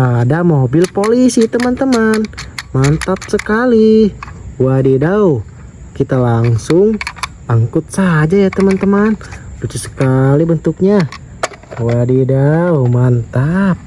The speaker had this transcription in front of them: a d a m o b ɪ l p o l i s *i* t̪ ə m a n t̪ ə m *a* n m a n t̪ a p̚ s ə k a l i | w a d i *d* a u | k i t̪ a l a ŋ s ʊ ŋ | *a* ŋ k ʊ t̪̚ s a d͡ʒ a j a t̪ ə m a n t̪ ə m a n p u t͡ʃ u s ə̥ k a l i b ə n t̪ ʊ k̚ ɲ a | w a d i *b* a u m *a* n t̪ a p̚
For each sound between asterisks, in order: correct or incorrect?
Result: correct, correct, correct, correct, incorrect, correct

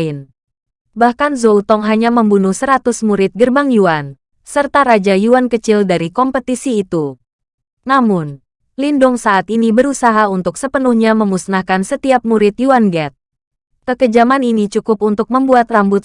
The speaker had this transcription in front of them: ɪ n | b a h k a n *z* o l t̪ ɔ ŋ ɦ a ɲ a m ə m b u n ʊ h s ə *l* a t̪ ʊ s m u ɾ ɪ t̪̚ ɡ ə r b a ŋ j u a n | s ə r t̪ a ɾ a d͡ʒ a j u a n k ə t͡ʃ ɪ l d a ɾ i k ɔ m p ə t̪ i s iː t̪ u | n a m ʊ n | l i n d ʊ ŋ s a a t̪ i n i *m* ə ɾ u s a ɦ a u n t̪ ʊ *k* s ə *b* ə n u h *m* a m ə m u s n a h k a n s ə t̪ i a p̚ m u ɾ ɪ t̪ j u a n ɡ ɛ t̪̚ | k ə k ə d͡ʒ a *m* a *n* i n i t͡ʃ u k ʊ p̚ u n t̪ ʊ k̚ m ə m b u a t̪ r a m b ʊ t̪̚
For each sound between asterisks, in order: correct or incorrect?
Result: correct, incorrect, incorrect, correct, incorrect, incorrect, correct, correct

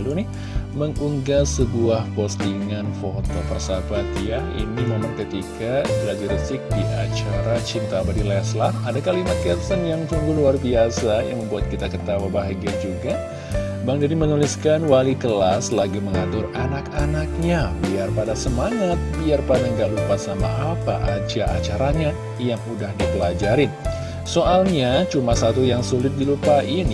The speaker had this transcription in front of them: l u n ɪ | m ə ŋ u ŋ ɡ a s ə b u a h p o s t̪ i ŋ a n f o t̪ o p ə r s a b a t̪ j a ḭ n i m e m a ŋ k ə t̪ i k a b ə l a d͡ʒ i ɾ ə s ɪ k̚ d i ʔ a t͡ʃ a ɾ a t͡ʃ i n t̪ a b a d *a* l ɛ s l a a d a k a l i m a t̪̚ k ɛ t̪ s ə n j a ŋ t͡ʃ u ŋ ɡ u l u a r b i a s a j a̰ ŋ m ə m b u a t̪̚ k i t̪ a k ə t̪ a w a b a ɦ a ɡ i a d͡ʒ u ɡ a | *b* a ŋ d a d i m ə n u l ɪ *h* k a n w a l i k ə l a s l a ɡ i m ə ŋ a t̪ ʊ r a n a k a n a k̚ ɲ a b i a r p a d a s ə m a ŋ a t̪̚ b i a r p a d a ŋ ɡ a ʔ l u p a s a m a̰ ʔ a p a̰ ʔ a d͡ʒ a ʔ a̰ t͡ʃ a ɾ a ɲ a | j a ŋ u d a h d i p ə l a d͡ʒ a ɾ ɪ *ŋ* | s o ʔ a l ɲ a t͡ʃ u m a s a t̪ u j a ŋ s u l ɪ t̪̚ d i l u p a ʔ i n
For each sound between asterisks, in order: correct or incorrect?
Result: incorrect, correct, incorrect, incorrect

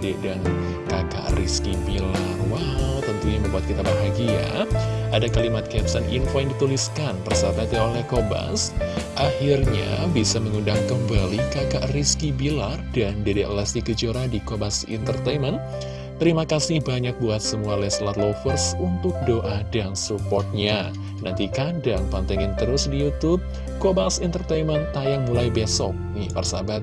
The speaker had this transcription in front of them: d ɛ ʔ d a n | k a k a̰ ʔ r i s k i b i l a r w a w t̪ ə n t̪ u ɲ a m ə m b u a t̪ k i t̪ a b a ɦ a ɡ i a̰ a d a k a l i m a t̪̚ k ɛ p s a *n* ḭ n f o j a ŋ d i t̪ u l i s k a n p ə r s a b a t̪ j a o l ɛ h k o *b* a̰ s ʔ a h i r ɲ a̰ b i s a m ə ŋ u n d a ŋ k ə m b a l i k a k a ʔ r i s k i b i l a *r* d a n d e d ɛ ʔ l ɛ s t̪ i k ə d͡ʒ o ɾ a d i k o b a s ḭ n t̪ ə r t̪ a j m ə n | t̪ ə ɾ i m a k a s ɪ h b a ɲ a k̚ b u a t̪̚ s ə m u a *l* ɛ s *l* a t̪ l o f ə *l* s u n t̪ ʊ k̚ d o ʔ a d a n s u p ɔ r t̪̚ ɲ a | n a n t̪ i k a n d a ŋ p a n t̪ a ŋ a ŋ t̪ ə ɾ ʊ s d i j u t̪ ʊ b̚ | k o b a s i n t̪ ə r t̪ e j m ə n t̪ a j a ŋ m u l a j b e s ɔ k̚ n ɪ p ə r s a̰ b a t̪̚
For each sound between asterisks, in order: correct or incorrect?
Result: correct, correct, correct, correct, correct, incorrect

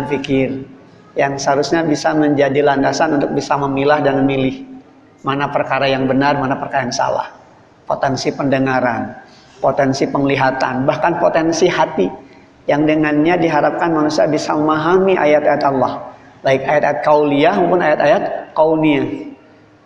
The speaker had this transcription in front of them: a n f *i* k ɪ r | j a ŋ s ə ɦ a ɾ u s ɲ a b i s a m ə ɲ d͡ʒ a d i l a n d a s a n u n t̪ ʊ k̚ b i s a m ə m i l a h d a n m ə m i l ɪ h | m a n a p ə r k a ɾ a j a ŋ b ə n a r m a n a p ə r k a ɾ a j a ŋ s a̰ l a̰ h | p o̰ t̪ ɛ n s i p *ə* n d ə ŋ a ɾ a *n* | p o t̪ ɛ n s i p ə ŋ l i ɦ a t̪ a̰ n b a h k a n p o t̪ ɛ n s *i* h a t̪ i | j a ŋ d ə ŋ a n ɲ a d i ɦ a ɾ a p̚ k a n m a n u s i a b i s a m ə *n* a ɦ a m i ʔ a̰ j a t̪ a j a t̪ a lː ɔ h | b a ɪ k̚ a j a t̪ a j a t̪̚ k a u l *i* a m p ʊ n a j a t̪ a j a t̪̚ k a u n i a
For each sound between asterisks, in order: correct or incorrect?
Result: correct, correct, correct, correct, incorrect, correct

